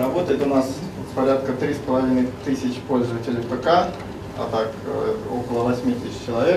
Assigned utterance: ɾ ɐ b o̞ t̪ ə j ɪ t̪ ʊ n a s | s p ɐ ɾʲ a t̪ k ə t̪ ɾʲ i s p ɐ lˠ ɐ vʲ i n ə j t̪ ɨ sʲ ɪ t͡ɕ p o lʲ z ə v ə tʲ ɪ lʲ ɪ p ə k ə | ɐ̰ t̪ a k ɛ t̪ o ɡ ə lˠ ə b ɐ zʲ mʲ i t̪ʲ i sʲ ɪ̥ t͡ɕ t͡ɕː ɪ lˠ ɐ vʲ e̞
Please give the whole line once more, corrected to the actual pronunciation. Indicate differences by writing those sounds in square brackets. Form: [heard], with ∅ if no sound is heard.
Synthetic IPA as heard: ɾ ɐ b o̞ t̪ ə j ɪ t̪ ʊ n a s | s p ɐ ɾʲ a t̪ k ə t̪ ɾʲ i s p [ə] lˠ ɐ vʲ i n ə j t̪ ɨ sʲ ɪ t͡ɕ p o lʲ z ə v ə tʲ ɪ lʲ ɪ p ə k [a] | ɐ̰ t̪ a k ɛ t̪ o [k] ə lˠ ə [v] ɐ [sʲ] mʲ i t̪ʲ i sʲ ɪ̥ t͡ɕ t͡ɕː ɪ lˠ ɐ vʲ e̞